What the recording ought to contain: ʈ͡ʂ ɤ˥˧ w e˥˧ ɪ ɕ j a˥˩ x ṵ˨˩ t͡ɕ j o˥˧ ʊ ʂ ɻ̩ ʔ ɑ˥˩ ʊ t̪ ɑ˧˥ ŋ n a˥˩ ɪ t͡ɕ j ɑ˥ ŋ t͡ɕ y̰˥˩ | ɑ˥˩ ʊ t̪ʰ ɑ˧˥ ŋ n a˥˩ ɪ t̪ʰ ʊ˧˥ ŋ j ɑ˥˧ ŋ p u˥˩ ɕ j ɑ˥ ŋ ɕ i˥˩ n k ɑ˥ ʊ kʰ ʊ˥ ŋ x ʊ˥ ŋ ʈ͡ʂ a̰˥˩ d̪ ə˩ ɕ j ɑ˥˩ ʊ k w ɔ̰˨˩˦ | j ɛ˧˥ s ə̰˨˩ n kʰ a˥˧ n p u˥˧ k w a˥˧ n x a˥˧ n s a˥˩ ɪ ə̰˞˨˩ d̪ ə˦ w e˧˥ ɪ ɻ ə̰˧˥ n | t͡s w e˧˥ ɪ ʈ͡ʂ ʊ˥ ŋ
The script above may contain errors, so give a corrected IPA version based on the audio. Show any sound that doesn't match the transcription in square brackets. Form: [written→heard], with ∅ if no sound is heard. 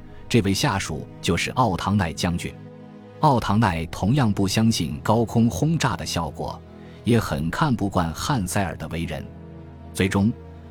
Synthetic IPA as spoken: ʈ͡ʂ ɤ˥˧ w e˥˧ ɪ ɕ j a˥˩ [x→ʂ] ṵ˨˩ t͡ɕ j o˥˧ ʊ ʂ ɻ̩ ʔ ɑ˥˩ ʊ [t̪→t̪ʰ] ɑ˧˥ ŋ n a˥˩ ɪ t͡ɕ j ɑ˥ ŋ t͡ɕ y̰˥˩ | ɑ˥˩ ʊ t̪ʰ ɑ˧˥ ŋ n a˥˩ ɪ t̪ʰ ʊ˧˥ ŋ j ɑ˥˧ ŋ p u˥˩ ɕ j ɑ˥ ŋ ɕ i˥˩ n k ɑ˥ ʊ kʰ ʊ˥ ŋ x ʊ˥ ŋ ʈ͡ʂ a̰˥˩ d̪ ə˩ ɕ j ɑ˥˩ ʊ k w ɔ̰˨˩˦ | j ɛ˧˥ [s→x] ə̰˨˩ n kʰ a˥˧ n p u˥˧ k w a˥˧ n x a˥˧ n s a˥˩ ɪ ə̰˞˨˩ d̪ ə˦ w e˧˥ ɪ ɻ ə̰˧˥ n | t͡s w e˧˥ ɪ ʈ͡ʂ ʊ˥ ŋ